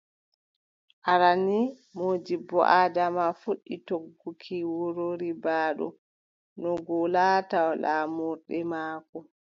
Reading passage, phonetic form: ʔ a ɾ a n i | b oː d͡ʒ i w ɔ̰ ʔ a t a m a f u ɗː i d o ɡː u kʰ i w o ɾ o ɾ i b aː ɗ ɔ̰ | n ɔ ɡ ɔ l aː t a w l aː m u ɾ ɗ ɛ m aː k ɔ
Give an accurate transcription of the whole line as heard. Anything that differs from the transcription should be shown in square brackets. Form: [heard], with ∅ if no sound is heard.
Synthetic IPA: ʔ a ɾ a n i | [m] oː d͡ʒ i [b] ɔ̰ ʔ a [d] a m a f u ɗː i [t] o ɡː u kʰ i w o ɾ o ɾ i b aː ɗ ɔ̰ | n ɔ ɡ ɔ l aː t a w l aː m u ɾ ɗ ɛ m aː k ɔ